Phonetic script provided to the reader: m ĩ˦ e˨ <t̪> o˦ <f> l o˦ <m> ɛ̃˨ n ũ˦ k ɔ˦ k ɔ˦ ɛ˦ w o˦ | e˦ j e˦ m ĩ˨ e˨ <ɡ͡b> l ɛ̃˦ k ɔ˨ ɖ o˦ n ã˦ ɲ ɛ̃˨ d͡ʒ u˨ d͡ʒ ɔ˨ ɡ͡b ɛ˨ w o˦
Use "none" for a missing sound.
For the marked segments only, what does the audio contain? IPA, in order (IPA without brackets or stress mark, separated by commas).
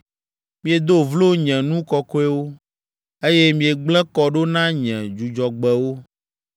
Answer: d̪, v, ɲ, ɡ͡b